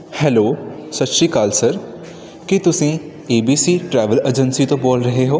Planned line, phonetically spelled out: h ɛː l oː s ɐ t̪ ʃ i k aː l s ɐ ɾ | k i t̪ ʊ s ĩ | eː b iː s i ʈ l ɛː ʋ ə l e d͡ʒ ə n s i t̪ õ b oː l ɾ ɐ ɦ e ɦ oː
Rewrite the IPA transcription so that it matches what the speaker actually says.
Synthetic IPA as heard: h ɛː l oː s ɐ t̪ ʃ i k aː l s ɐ ɾ | k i t̪ ʊ s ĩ | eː b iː s i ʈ ɾ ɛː ʋ ə l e d͡ʒ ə n s i t̪ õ b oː l ɾ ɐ ɦ e ɦ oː

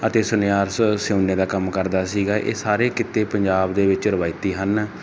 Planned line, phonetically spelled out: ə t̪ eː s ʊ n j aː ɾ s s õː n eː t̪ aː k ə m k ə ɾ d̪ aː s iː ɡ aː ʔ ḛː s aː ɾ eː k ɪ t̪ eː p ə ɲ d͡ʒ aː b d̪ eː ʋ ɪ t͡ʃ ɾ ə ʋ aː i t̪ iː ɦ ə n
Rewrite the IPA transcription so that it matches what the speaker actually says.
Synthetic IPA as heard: ə t̪ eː s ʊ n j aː ɾ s s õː n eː d̪ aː k ə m k ə ɾ d̪ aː s iː ɡ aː ʔ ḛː s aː ɾ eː k ɪ t̪ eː p ə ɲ d͡ʒ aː b d̪ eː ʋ ɪ t͡ʃ ɾ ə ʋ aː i t̪ iː ɦ ə n

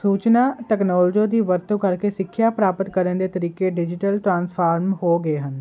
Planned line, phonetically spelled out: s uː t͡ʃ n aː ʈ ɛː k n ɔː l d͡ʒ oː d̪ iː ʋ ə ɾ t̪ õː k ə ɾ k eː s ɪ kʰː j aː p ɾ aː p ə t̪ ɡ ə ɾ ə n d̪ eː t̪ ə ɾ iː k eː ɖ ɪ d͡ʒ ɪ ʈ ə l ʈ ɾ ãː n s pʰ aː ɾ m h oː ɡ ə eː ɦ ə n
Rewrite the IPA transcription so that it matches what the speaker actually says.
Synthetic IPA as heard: s uː t͡ʃ n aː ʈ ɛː k n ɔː l d͡ʒ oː d̪ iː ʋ ə ɾ t̪ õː k ə ɾ k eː s ɪ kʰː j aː p ɾ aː p ə t̪ k ə ɾ ə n d̪ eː t̪ ə ɾ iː k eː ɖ ɪ d͡ʒ ɪ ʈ ə l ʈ ɾ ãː n s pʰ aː ɾ m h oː ɡ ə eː ɦ ə n

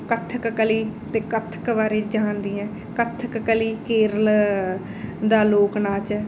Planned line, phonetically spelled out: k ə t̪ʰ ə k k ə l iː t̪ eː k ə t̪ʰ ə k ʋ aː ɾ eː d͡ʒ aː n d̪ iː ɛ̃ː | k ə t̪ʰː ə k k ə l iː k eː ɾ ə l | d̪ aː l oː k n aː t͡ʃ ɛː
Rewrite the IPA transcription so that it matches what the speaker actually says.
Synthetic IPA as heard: k ə t̪ʰ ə k k ə l iː t̪ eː k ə t̪ʰ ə k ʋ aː ɾ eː d͡ʒ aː n d̪ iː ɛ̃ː | k ə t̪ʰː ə k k ə l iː k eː ɾ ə l | d̪ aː l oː k n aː t͡ʃ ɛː

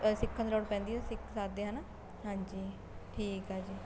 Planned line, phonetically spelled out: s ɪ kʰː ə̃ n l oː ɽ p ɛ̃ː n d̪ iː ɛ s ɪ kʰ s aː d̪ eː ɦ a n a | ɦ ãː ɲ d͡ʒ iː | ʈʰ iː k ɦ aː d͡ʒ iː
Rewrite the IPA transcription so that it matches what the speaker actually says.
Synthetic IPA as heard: s ɪ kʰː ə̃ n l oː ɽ p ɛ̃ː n d̪ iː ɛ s ɪ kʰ s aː d̪ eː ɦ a n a | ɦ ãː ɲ d͡ʒ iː | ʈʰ iː k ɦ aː d͡ʒ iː

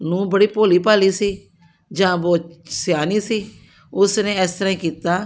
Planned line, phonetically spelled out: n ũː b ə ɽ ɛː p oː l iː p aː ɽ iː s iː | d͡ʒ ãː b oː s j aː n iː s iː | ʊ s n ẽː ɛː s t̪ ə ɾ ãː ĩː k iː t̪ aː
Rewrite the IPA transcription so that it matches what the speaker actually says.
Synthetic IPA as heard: n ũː b ə ɽ iː p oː l iː p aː l iː s iː | d͡ʒ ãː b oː s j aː n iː s iː | ʊ s n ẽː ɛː s t̪ ə ɾ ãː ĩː k iː t̪ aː

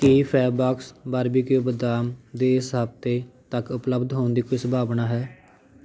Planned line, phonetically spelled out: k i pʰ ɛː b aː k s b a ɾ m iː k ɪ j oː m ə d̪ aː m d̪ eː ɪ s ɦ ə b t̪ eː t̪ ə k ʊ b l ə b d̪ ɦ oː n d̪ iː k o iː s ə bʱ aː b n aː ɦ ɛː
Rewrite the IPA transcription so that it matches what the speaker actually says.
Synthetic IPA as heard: k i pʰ ɛː b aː k s b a ɾ b iː k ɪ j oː b ə d̪ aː m d̪ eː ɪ s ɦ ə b t̪ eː t̪ ə k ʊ p l ə b d̪ ɦ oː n d̪ iː k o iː s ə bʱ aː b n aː ɦ ɛː

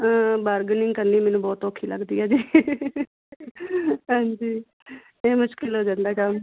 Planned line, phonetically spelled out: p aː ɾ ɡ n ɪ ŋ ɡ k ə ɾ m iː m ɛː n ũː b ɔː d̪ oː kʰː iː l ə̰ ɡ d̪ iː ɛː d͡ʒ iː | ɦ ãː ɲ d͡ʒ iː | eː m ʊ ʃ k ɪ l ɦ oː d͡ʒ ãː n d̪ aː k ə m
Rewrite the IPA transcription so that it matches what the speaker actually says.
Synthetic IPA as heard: b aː ɾ ɡ n ɪ ŋ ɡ k ə ɾ n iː m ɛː n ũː b ɔː t̪ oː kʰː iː l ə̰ ɡ d̪ iː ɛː d͡ʒ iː | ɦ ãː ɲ d͡ʒ iː | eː m ʊ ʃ k ɪ l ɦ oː d͡ʒ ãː n d̪ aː k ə m

